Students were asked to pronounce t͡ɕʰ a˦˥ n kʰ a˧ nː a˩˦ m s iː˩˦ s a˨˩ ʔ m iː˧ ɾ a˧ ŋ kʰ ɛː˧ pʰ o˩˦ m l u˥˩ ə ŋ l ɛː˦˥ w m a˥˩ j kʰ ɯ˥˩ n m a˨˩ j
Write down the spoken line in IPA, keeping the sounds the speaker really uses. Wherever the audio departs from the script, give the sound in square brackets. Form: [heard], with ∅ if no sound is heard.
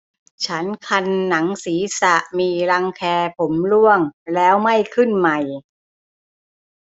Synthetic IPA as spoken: t͡ɕʰ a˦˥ n kʰ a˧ nː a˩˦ [ŋ] s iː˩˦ s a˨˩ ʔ m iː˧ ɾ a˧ ŋ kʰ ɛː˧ pʰ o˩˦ m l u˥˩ ə ŋ l ɛː˦˥ w m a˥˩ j kʰ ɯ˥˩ n m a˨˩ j